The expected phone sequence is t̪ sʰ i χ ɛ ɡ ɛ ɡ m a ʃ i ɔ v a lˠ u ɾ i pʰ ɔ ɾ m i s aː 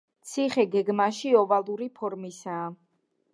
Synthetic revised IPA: t̪ sʰ i χ ɛ ɡ ɛ ɡ m a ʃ i ɔ v a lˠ u ɾ i pʰ ɔ ɾ m i s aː

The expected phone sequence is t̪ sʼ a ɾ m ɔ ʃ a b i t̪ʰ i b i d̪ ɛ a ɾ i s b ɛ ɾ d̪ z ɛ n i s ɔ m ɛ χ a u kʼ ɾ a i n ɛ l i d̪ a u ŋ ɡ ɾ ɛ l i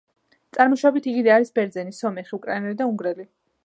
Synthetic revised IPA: t̪ sʼ a ɾ m ɔ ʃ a b i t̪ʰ i ɡ i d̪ ɛ a ɾ i s b ɛ ɾ d̪ z ɛ n i s ɔ m ɛ χ i u kʼ ɾ a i n ɛ l i d̪ a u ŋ ɡ ɾ ɛ l i

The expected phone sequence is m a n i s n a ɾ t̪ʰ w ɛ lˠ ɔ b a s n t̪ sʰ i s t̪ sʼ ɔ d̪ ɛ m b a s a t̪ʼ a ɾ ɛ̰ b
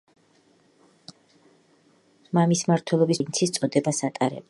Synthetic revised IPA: m a m i s m a ɾ t̪ʰ w ɛ lˠ ɔ b i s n t̪ sʰ i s t̪ sʼ ɔ d̪ ɛ b a s a t̪ʼ a ɾ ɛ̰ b

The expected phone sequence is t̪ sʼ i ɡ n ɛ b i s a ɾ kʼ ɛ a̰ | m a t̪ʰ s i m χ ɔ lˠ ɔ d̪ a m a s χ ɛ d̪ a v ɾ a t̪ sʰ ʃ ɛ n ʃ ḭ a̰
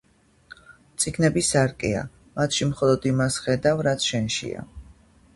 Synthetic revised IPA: t̪ sʼ i ɡ n ɛ b i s a ɾ kʼ ɛ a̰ | m a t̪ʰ ʃ i m χ ɔ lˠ ɔ d̪ i m a s χ ɛ d̪ a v ɾ a t̪ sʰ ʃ ɛ n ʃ ḭ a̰

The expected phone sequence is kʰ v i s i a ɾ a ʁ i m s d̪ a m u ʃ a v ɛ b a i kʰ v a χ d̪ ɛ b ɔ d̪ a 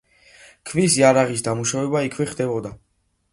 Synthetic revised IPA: kʰ v i s i a ɾ a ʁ i s d̪ a m u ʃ a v ɛ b a i kʰ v ɛ χ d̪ ɛ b ɔ d̪ a

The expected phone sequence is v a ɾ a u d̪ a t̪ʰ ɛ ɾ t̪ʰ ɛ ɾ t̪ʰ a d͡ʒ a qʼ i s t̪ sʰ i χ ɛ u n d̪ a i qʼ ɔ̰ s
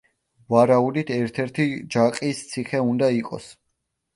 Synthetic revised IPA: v a ɾ a u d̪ i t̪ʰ ɛ ɾ t̪ʰ ɛ ɾ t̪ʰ i d͡ʒ a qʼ i s t̪ sʰ i χ ɛ u n d̪ a i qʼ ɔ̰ s

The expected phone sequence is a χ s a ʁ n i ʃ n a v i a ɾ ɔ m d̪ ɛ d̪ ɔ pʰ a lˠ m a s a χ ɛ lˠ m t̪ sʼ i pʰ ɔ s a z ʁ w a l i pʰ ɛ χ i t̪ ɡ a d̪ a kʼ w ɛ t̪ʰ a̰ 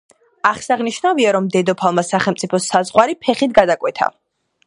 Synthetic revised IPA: a χ s a ʁ n i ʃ n a v i a ɾ ɔ m d̪ ɛ d̪ ɔ pʰ a lˠ m a s a χ ɛ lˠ m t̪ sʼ i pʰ ɔ s a z ʁ w a ɾ i pʰ ɛ χ i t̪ ɡ a d̪ a kʼ w ɛ t̪ʰ a̰

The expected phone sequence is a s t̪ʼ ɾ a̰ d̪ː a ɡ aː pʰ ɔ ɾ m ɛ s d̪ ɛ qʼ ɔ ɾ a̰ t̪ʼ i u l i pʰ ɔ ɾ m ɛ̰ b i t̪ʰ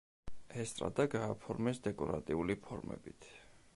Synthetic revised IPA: ɛ s t̪ʼ ɾ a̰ d̪ a ɡ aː pʰ ɔ ɾ m ɛ s d̪ ɛ kʼ ɔ ɾ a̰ t̪ʼ i u l i pʰ ɔ ɾ m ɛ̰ b i t̪ʰ

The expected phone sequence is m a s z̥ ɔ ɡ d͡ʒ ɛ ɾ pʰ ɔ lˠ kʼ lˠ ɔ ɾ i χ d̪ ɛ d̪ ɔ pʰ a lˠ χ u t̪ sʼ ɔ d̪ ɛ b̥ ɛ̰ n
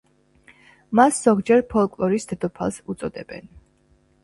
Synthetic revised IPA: m a s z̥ ɔ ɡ d͡ʒ ɛ ɾ pʰ ɔ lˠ kʼ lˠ ɔ ɾ i s d̪ ɛ d̪ ɔ pʰ a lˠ s u t̪ sʼ ɔ d̪ ɛ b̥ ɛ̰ n

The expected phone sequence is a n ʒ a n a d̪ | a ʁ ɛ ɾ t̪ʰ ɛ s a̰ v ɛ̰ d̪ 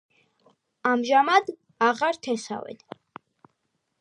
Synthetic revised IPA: a m ʒ a m a d̪ | a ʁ a ɾ t̪ʰ ɛ s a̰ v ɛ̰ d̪

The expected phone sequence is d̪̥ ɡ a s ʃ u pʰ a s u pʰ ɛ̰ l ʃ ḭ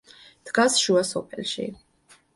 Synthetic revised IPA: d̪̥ ɡ a s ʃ u a s ɔ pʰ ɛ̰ l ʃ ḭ

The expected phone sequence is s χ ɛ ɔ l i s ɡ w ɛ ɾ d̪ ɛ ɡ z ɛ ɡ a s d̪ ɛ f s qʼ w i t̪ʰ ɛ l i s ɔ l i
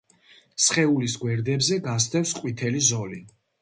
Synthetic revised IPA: s χ ɛ u l i s ɡ w ɛ ɾ d̪ ɛ b z ɛ ɡ a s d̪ ɛ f s qʼ w i t̪ʰ ɛ l i z ɔ l i

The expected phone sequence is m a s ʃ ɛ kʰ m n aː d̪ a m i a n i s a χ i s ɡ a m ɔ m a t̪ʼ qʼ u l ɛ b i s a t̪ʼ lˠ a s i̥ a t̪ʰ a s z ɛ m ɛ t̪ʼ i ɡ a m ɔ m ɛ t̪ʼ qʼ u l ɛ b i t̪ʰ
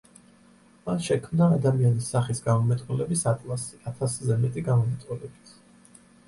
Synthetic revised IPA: m a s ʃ ɛ kʰ m n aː d̪ a m i a n i s a χ i s ɡ a m ɔ m ɛ t̪ʼ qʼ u l ɛ b i s a t̪ʼ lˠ a s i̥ a t̪ʰ a s z ɛ m ɛ t̪ʼ i ɡ a m ɔ m ɛ t̪ʼ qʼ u l ɛ b i t̪ʰ

